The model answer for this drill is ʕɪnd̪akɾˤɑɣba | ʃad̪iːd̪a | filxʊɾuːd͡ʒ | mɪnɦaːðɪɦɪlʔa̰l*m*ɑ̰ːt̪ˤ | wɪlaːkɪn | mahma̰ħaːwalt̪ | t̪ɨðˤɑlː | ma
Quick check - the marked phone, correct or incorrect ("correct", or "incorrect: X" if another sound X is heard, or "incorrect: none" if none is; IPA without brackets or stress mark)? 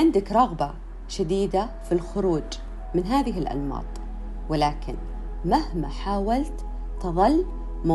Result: correct